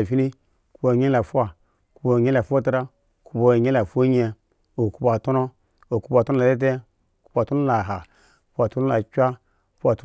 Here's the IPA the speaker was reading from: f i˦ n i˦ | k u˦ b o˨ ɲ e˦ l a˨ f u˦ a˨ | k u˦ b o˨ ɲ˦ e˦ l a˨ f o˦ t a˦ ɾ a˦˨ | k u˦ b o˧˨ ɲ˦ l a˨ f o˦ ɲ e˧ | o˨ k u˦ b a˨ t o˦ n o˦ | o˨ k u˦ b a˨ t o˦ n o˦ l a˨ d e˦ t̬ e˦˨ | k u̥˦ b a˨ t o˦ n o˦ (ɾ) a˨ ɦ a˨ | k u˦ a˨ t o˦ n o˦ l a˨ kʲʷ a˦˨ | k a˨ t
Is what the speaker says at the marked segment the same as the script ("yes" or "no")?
no